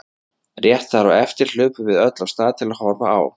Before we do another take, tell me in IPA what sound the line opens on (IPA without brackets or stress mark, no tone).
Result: r